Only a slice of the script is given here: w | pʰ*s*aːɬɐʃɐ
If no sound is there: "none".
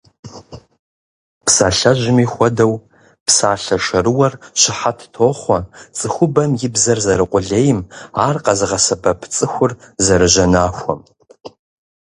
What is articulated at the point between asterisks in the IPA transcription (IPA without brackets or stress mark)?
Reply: s